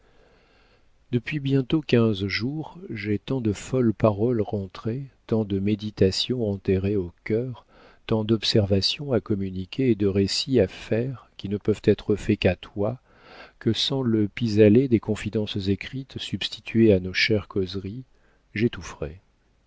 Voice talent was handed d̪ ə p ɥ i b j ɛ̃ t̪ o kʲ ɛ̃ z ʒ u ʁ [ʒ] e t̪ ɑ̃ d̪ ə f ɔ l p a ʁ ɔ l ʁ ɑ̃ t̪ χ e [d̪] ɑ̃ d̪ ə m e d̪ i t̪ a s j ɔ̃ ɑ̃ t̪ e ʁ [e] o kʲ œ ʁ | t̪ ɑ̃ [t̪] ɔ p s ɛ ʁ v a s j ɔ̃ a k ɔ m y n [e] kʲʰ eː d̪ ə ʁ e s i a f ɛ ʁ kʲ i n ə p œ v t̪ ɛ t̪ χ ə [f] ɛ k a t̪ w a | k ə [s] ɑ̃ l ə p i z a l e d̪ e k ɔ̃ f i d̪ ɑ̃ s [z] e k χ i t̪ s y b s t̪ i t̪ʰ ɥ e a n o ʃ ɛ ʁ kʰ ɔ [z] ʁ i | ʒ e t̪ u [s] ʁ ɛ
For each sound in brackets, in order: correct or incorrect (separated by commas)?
correct, incorrect, correct, incorrect, incorrect, correct, correct, correct, correct, incorrect